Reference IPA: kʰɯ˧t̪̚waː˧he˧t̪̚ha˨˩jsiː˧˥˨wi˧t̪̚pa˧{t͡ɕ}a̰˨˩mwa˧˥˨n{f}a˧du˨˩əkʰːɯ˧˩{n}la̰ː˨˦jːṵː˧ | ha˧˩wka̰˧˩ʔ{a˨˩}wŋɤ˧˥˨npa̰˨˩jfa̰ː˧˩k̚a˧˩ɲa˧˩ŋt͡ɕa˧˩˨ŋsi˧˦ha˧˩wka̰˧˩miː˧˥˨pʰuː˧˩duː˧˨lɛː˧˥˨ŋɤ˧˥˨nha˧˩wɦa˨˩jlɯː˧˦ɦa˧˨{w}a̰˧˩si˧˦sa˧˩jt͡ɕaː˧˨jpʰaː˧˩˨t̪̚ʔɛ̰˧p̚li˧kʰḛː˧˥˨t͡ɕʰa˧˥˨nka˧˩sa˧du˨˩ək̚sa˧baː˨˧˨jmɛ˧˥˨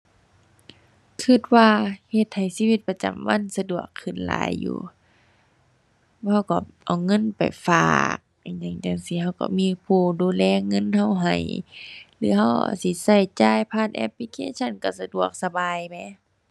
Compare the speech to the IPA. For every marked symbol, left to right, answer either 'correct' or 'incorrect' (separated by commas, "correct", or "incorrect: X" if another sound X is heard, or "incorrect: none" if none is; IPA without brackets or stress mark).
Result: correct, incorrect: s, correct, correct, correct